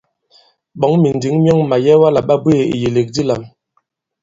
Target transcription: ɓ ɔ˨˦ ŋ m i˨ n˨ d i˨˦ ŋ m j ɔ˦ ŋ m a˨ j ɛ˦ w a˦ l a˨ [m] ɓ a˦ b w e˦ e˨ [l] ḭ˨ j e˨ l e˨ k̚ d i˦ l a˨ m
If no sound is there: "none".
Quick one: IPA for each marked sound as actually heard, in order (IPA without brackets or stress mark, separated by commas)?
none, none